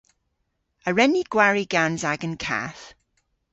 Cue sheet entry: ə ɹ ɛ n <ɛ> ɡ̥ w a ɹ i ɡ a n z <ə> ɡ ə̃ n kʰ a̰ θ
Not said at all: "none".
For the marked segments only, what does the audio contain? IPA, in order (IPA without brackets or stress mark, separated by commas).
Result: i, a